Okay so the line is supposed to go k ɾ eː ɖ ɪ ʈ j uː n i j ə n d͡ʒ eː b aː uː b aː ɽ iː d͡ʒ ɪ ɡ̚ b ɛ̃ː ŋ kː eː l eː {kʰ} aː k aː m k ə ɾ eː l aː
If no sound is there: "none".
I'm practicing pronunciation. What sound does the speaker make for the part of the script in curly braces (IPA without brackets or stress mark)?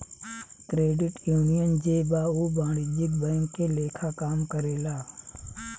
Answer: kʰ